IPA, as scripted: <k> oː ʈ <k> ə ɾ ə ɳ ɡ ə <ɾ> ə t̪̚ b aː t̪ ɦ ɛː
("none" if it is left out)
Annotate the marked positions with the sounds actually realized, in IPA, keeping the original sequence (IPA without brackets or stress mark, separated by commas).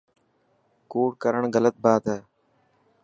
k, k, l